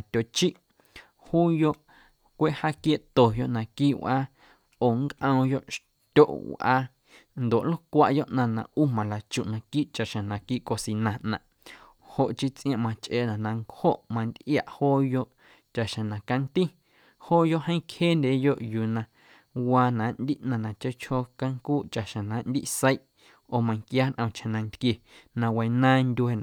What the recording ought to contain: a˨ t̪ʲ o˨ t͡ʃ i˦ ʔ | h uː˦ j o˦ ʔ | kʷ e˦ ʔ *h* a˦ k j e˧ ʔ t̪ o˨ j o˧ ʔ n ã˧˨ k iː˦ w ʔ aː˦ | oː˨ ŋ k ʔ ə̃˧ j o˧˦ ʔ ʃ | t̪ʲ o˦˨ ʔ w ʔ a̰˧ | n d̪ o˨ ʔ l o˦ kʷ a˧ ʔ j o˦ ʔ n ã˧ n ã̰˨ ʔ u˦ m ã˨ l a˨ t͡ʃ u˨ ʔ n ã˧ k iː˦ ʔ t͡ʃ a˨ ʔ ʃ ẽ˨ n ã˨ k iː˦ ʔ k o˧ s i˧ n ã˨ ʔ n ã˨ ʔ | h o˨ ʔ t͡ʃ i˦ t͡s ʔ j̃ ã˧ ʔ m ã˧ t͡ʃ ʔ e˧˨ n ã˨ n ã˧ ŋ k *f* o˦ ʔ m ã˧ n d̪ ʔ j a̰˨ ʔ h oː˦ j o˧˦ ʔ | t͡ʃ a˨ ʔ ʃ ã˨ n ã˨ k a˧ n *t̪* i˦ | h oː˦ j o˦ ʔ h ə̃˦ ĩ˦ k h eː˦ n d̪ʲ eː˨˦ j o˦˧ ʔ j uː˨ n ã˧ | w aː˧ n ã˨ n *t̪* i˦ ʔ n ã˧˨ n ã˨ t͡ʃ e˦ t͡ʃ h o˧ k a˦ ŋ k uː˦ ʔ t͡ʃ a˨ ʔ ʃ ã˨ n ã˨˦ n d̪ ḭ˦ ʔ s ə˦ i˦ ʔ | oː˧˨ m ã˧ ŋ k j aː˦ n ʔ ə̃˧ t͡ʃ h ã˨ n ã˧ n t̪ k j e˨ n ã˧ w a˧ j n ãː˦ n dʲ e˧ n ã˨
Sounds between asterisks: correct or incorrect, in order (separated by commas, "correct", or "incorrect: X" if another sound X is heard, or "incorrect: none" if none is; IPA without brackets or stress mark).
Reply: correct, incorrect: h, correct, incorrect: d̪